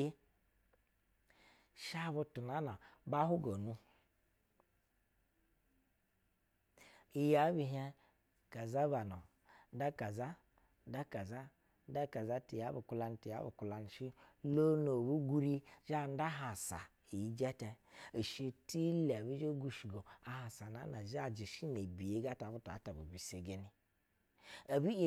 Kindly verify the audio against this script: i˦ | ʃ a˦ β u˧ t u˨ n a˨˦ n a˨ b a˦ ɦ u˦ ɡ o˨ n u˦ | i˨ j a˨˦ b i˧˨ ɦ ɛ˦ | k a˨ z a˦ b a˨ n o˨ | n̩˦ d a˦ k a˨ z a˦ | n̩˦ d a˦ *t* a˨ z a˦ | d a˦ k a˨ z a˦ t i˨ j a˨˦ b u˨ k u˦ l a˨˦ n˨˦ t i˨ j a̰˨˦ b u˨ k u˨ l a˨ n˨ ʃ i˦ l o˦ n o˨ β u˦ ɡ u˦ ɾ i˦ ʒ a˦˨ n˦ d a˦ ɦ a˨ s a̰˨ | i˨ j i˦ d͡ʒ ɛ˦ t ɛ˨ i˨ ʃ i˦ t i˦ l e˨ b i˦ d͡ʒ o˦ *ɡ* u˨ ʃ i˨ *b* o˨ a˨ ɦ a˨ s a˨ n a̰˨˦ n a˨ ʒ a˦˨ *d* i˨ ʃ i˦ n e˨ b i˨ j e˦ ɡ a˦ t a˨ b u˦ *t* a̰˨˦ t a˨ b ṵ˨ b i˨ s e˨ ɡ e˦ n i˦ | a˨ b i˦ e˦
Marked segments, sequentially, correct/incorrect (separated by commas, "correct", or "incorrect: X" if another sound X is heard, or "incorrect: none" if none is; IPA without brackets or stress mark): incorrect: k, correct, incorrect: ɡ, incorrect: d͡ʒ, correct